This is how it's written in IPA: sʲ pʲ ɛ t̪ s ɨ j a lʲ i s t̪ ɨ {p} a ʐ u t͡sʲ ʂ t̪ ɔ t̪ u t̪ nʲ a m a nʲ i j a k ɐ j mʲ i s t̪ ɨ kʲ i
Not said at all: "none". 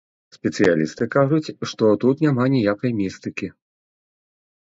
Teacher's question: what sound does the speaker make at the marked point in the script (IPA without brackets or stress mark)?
k